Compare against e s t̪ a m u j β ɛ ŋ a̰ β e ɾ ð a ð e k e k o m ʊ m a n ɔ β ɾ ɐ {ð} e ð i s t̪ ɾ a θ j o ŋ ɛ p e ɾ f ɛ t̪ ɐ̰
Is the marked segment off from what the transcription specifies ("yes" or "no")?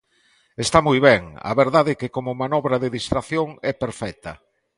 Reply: no